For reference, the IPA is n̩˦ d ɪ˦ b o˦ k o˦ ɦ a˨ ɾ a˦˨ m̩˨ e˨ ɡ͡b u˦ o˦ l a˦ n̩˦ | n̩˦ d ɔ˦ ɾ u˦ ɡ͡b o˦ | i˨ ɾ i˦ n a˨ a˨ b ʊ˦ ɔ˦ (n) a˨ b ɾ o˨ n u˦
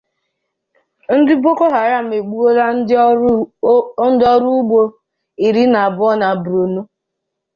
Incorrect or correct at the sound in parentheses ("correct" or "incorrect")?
correct